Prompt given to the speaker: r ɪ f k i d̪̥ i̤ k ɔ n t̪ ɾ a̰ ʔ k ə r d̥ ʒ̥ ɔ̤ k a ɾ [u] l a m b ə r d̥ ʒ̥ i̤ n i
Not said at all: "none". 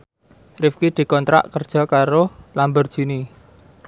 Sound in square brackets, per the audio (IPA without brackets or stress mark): o